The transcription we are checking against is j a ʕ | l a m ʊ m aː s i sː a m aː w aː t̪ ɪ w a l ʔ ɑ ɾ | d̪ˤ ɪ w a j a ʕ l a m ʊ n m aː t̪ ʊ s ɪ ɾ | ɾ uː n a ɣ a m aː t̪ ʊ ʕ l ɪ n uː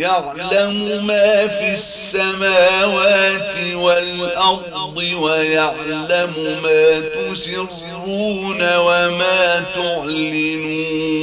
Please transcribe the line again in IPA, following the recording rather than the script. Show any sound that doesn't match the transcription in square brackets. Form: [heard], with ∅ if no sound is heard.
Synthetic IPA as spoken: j a ʕ | l a m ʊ m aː [f] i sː a m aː w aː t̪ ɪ w a l ʔ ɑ ɾ | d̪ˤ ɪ w a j a ʕ l a m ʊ [∅] m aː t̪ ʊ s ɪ ɾ | ɾ uː n a [w] a m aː t̪ ʊ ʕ l ɪ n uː